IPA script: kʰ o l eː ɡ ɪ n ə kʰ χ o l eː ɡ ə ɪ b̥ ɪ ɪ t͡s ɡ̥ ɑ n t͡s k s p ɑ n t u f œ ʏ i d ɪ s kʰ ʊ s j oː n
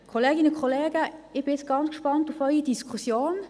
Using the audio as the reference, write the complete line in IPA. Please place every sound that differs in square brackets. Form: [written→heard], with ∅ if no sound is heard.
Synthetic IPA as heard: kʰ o l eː ɡ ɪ n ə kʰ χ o l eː ɡ ə ɪ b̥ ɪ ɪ t͡s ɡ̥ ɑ n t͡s k [s→ʃ] p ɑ n t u f œ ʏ i d [ɪ→i] s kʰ [ʊ→u] s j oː n

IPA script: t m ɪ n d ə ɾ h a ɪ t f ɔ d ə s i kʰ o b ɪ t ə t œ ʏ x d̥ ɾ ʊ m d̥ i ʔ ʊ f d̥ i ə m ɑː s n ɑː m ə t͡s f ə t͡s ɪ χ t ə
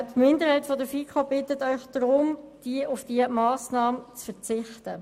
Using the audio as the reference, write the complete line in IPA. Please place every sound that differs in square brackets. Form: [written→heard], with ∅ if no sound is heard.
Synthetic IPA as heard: t m ɪ n d ə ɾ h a ɪ t f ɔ d ə [s→f] i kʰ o b ɪ t ə t œ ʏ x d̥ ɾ ʊ m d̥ i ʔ ʊ f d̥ i ə m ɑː s n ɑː m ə t͡s f ə t͡s ɪ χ t ə

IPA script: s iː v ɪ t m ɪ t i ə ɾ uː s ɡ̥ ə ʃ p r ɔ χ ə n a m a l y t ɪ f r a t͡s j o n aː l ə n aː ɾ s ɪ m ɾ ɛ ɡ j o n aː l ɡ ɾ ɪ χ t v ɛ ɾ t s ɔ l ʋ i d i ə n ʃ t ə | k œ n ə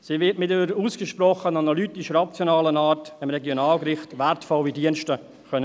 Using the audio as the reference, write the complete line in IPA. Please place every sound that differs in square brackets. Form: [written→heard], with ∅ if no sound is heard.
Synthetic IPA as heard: s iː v ɪ t m ɪ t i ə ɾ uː s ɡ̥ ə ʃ p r ɔ χ ə n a [m→n] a l y t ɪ [f→ʃ] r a t͡s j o n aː l ə n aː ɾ [s→t] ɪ m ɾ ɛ ɡ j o n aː l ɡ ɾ ɪ χ t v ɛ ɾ t [s→f] ɔ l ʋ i d i ə n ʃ t ə | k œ n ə

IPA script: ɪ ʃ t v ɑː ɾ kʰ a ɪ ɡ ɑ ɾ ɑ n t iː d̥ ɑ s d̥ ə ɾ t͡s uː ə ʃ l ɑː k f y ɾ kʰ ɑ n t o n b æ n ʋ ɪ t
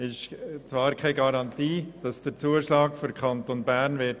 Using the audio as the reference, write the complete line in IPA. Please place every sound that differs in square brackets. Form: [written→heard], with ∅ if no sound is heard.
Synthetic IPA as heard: ɪ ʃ [t→t͡s] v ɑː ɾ kʰ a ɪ ɡ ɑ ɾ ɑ n t iː d̥ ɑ s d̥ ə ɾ t͡s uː ə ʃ l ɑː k f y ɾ kʰ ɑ n t o n b æ n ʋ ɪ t

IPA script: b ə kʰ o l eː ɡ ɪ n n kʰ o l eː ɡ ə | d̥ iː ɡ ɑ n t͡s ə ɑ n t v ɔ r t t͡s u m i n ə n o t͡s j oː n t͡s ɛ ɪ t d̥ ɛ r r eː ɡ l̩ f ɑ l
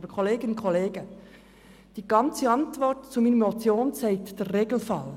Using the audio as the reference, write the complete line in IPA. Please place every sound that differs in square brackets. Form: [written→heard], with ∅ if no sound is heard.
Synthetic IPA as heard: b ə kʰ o l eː ɡ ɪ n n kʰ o l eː ɡ ə | d̥ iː ɡ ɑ n t͡s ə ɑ n t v ɔ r t t͡s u m i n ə [n→m] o t͡s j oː n t͡s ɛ ɪ t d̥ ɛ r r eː ɡ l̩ f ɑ l

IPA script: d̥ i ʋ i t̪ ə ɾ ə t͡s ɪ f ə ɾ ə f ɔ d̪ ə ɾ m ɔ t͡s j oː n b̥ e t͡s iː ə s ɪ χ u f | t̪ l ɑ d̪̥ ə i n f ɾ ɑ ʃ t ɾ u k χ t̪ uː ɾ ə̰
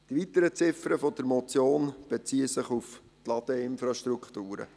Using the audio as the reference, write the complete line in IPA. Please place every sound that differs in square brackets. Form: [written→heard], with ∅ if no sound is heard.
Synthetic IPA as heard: d̥ i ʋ i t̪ ə ɾ ə t͡s ɪ f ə ɾ ə f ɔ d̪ ə ɾ m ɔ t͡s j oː n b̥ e t͡s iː ə s ɪ χ u f | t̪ l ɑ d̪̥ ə [i→ɪ] n f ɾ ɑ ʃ t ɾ u k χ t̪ uː ɾ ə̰

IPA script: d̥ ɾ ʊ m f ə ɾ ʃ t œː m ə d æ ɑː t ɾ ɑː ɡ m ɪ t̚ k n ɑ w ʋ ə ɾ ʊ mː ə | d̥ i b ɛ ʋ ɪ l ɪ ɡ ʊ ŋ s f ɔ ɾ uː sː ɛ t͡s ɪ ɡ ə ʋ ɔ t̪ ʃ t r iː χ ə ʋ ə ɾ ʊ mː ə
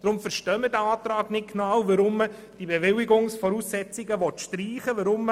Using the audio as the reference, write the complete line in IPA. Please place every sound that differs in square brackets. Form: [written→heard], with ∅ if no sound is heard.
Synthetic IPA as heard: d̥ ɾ ʊ m f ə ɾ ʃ t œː m ə d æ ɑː t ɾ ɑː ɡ [m→n] ɪ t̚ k n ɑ w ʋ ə ɾ ʊ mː ə | d̥ i b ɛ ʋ ɪ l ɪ ɡ ʊ ŋ s f ɔ ɾ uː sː ɛ t͡s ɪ ɡ ə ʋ ɔ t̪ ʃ t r iː χ ə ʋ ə ɾ ʊ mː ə

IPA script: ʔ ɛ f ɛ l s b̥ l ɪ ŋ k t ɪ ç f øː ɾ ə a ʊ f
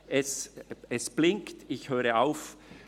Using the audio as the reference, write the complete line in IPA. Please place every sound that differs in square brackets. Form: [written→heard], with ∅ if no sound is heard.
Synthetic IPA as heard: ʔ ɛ [f→s] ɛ [l→∅] s b̥ l ɪ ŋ k t ɪ ç [f→h] øː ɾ ə a ʊ f

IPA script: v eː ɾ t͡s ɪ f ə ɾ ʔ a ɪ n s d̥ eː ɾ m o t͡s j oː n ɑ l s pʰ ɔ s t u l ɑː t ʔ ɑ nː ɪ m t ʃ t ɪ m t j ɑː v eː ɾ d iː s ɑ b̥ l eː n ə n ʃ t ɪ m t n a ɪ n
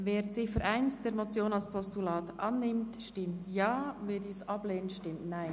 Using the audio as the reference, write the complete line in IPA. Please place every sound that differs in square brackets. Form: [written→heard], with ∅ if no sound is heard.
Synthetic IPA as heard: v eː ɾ t͡s ɪ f ə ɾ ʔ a ɪ n s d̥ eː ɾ m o t͡s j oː n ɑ l s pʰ ɔ s t u l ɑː t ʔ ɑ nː ɪ m t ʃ t ɪ m t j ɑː v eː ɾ d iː s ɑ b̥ l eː n ə n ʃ t ɪ m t n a ɪ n

